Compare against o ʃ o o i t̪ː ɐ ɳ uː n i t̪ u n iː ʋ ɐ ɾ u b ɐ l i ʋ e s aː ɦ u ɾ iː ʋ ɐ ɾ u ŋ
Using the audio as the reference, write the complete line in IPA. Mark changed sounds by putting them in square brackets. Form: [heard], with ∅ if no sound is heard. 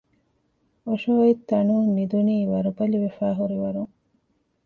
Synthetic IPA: o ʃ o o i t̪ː ɐ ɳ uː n i [d̪] u n iː ʋ ɐ ɾ u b ɐ l i ʋ e [f] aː ɦ u ɾ [i] ʋ ɐ ɾ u ŋ